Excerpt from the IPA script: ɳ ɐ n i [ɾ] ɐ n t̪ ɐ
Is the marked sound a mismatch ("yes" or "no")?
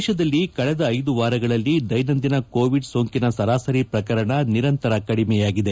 no